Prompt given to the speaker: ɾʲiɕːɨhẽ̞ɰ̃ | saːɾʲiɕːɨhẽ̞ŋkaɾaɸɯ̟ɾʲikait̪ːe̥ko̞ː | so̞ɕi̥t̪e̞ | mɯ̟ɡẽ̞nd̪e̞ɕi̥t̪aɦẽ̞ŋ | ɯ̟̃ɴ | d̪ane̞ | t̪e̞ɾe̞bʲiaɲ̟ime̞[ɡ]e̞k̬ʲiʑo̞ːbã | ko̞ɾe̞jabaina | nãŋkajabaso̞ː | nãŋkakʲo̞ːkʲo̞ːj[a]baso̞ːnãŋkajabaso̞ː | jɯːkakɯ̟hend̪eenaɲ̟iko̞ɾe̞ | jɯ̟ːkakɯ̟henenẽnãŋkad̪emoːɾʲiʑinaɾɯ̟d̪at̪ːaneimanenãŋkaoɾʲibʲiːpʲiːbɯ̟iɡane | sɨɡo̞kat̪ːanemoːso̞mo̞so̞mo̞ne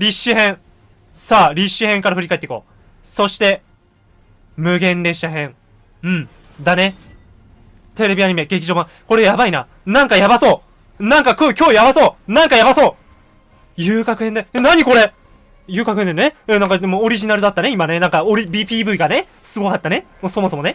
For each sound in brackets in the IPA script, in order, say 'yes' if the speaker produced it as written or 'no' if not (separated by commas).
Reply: yes, yes